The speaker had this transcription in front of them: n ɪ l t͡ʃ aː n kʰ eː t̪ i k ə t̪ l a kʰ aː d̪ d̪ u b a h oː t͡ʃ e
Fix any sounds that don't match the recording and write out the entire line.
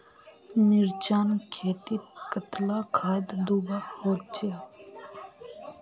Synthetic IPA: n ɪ ɾ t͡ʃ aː n kʰ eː t̪ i k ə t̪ l a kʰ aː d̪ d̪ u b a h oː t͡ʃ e